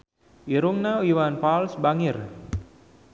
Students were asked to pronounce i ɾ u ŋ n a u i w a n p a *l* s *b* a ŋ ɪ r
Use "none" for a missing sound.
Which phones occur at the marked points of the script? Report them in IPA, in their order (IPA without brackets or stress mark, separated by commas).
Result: l, b